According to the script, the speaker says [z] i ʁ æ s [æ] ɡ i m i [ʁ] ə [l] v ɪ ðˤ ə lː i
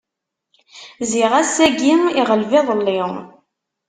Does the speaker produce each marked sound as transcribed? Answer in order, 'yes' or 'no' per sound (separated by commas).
yes, yes, yes, yes